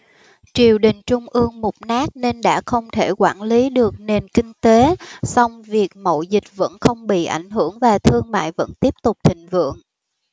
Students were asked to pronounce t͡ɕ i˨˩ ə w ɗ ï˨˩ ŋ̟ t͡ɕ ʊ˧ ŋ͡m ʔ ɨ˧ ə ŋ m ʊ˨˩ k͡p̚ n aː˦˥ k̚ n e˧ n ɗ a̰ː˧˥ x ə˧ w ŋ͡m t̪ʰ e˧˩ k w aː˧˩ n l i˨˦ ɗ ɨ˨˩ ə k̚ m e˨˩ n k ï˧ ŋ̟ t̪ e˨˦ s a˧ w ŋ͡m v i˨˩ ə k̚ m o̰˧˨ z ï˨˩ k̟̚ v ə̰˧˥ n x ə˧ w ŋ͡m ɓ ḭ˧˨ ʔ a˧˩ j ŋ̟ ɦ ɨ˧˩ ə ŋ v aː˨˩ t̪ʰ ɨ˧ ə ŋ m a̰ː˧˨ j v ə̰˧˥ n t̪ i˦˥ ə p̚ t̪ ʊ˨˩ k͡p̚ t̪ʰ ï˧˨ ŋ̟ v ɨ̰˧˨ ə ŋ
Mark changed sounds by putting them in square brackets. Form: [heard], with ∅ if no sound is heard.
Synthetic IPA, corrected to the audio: t͡ɕ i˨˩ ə w ɗ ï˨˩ ŋ̟ t͡ɕ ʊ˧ ŋ͡m ʔ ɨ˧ ə ŋ m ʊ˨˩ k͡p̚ n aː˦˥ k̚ n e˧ n ɗ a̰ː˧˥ x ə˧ w ŋ͡m t̪ʰ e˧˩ k w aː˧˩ n l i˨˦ ɗ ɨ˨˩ ə k̚ [n] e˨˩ n k ï˧ ŋ̟ t̪ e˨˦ s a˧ w ŋ͡m v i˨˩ ə k̚ m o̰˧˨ z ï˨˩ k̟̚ v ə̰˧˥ n x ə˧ w ŋ͡m ɓ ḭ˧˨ ʔ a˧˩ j ŋ̟ ɦ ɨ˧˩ ə ŋ v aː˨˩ t̪ʰ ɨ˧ ə ŋ m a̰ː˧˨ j v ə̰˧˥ n t̪ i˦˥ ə p̚ t̪ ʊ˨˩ k͡p̚ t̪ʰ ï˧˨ ŋ̟ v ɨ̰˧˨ ə ŋ